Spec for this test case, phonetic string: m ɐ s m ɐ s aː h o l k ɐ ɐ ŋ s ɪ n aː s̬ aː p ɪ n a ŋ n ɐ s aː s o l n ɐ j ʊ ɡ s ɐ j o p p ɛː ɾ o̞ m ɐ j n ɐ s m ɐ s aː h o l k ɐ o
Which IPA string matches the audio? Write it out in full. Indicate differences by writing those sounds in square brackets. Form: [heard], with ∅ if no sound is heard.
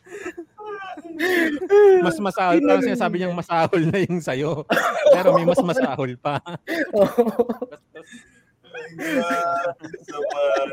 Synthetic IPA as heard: m ɐ s m ɐ s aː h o l [p] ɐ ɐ ŋ s ɪ n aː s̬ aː [b] ɪ [ɲ] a ŋ [m] ɐ s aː [h] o l n ɐ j ʊ [ŋ] s ɐ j o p p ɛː ɾ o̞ m ɐ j [m] ɐ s m ɐ s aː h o l [p] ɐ o